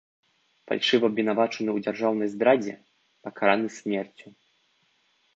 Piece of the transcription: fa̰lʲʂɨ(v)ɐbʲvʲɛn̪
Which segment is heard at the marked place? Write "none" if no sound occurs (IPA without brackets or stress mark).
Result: v